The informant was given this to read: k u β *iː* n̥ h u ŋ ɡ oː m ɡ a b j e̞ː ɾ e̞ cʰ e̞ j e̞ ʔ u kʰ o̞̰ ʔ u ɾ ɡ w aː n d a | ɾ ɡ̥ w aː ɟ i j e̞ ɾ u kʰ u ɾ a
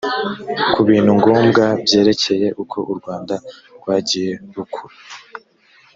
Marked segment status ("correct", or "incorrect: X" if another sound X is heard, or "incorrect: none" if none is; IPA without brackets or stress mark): correct